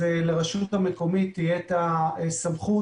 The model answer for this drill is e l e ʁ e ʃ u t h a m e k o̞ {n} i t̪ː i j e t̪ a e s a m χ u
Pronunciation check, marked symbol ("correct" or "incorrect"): incorrect